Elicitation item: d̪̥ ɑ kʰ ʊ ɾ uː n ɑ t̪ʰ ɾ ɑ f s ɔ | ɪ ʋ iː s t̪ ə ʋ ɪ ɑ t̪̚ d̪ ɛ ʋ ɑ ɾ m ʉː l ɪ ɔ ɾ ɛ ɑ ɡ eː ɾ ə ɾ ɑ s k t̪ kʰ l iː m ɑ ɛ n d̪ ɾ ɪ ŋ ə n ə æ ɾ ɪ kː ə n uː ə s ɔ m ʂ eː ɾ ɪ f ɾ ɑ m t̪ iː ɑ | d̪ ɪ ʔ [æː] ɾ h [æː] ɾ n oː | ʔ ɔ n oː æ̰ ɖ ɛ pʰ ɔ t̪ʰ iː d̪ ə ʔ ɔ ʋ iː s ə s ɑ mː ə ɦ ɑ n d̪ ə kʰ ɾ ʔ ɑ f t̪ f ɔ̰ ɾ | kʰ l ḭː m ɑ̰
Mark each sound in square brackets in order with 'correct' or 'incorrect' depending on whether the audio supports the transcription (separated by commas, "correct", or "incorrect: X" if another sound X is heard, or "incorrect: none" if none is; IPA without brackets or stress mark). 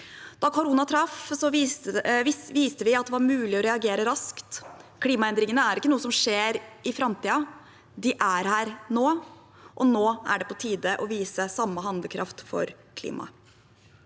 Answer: incorrect: æ, correct